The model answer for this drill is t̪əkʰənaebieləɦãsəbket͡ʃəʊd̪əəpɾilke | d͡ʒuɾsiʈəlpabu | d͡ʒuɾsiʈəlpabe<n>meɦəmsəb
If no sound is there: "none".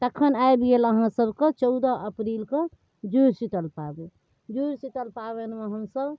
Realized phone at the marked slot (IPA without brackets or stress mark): n